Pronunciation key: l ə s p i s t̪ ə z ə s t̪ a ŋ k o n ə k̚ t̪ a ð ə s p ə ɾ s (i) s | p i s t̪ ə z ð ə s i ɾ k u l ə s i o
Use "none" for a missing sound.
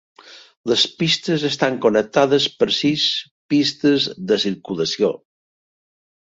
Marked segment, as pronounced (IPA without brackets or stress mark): i